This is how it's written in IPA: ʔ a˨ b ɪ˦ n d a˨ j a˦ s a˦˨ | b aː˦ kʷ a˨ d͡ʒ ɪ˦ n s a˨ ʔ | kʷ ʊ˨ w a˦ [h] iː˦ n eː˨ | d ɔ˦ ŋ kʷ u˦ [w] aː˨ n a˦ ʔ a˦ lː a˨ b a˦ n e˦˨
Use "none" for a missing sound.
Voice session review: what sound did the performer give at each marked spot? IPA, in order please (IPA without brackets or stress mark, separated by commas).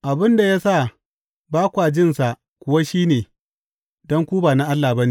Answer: ʃ, b